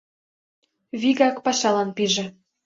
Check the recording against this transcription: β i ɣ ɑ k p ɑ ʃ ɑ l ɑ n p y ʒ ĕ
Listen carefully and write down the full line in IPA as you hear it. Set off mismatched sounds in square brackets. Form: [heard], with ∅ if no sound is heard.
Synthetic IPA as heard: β i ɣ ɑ k p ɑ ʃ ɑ l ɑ n p [i] ʒ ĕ